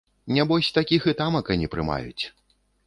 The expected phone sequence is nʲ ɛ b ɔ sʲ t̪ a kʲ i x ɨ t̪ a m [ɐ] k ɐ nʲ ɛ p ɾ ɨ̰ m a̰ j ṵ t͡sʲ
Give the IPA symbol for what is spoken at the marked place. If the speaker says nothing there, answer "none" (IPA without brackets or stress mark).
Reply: ɐ